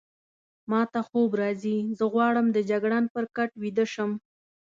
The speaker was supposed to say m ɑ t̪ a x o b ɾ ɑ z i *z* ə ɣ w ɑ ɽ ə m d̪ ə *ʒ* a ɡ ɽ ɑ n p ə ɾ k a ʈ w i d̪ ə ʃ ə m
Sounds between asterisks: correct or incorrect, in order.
correct, incorrect

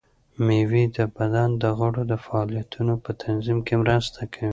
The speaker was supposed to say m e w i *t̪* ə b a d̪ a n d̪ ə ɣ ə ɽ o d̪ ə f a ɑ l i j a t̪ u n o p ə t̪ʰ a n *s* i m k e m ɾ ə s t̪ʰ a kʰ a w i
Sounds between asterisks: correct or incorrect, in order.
incorrect, incorrect

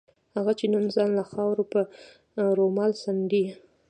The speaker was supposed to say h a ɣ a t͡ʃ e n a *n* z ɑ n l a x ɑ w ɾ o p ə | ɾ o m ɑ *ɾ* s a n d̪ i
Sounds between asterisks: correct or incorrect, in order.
correct, incorrect

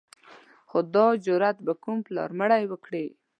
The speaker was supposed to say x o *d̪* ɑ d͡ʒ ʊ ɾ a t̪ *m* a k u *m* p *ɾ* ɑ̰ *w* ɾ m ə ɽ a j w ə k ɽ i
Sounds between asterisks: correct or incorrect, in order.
correct, incorrect, correct, incorrect, incorrect

